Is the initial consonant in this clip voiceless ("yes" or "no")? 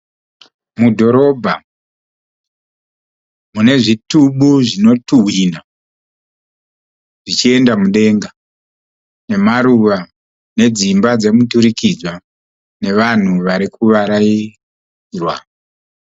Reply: no